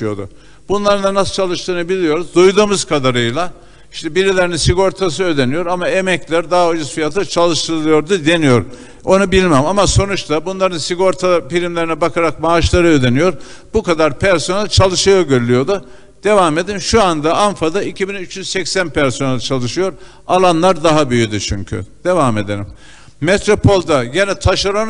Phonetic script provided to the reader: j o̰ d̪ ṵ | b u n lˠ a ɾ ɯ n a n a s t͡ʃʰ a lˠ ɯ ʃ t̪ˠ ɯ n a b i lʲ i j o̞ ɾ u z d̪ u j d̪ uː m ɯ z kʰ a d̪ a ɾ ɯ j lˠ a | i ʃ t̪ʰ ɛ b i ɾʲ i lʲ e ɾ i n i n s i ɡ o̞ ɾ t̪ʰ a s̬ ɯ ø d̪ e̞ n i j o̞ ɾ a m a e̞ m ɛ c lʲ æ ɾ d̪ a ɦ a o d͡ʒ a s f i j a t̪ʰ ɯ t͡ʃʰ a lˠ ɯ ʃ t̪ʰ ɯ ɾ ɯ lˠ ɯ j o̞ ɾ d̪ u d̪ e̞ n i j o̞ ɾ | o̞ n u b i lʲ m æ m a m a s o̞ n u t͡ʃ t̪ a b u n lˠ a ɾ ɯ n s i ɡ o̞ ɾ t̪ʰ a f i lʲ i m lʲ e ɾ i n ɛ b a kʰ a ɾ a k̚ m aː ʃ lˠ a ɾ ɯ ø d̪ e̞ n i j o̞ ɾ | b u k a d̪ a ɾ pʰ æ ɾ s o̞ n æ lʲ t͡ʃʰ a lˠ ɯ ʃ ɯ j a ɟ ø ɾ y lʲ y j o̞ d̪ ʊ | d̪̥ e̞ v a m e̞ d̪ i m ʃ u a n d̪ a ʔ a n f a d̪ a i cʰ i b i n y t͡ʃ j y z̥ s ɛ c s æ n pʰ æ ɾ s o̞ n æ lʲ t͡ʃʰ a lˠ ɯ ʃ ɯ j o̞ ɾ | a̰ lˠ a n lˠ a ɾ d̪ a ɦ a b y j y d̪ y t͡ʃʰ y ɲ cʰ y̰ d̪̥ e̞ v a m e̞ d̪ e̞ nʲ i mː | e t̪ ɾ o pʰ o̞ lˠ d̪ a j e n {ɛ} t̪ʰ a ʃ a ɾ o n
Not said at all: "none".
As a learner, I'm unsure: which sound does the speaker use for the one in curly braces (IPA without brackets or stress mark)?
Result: ɛ